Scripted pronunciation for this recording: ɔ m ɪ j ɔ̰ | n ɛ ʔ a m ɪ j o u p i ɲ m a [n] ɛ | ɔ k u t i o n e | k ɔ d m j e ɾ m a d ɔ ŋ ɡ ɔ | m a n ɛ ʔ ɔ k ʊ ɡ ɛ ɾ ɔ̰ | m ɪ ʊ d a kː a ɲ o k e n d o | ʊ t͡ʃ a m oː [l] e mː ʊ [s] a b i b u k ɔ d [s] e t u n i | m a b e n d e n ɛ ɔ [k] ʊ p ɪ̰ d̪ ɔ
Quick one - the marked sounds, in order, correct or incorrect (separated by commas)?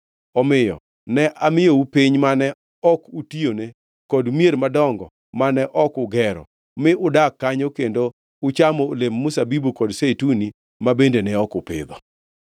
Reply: correct, correct, correct, correct, correct